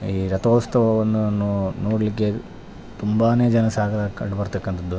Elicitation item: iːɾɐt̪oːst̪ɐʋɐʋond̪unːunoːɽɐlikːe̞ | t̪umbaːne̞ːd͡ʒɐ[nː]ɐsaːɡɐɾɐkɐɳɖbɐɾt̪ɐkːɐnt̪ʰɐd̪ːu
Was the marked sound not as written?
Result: yes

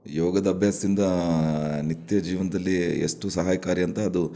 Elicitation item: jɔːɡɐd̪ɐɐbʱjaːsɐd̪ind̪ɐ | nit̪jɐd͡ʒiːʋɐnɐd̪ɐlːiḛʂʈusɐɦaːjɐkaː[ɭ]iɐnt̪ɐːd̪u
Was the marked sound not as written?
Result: yes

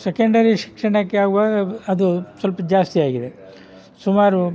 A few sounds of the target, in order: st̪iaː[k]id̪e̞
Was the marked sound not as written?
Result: yes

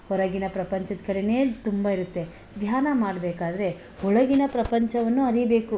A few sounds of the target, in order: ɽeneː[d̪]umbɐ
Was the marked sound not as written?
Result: yes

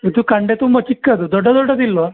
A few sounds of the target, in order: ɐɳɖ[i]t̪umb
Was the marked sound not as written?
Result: yes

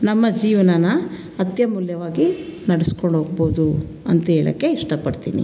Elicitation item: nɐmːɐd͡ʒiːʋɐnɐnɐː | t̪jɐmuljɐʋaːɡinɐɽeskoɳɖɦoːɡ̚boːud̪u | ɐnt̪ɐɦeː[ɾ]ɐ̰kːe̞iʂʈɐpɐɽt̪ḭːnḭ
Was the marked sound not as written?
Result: yes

